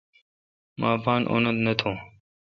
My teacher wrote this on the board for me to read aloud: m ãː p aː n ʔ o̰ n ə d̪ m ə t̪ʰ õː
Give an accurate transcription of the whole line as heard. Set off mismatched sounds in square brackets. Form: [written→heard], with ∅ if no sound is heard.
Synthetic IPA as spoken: m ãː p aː n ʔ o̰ n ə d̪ [m→n] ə t̪ʰ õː